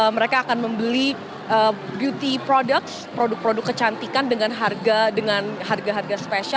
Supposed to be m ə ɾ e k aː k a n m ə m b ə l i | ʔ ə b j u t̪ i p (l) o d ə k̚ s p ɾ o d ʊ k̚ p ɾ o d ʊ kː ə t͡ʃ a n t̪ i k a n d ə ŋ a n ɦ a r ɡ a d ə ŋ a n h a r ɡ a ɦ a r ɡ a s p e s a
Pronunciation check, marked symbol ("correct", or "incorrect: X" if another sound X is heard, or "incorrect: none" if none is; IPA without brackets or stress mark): incorrect: ɾ